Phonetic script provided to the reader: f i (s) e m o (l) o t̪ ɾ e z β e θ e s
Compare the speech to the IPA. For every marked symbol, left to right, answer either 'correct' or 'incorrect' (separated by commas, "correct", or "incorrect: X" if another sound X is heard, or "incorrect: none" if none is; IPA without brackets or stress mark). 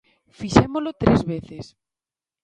incorrect: ʃ, correct